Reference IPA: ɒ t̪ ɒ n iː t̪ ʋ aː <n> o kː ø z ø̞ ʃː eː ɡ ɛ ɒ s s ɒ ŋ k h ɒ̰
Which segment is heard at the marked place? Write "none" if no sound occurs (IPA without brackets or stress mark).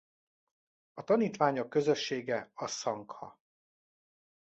ɲ